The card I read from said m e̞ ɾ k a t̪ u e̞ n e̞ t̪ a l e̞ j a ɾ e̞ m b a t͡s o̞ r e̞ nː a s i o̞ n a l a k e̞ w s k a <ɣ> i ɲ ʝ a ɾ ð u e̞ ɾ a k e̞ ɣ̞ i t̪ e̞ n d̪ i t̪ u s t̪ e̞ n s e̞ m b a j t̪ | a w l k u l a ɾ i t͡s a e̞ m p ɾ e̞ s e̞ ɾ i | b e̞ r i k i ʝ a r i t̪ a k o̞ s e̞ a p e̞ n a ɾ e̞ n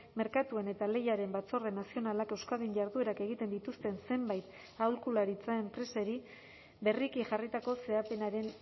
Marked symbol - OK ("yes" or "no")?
no